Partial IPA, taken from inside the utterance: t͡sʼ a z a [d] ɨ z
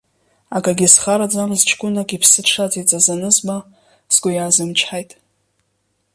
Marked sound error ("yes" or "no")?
yes